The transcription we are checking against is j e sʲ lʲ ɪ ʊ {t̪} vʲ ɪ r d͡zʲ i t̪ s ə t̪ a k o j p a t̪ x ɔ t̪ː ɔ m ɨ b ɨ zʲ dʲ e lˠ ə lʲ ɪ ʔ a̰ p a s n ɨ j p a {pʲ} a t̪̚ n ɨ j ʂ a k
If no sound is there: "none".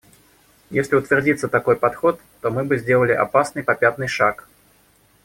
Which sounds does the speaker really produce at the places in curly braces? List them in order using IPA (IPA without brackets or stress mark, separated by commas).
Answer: t̪, pʲ